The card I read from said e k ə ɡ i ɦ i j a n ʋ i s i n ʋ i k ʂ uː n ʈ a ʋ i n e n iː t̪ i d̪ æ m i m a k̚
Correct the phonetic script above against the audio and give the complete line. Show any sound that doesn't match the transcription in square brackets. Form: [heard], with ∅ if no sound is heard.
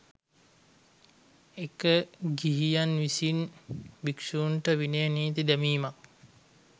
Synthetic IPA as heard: e k ə ɡ i ɦ i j a n ʋ i s i n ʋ i k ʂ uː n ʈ [ə] ʋ i n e n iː t̪ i d̪ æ m [iː] m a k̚